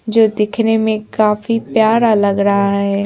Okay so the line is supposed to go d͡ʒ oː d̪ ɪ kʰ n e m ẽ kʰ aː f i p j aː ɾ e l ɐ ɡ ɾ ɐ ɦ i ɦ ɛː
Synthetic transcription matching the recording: d͡ʒ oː d̪ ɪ kʰ n e m ẽ k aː f i p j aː ɾ a l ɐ ɡ ɾ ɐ ɦ a ɦ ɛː